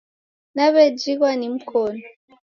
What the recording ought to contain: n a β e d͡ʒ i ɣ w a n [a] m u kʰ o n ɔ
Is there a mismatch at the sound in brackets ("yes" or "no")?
yes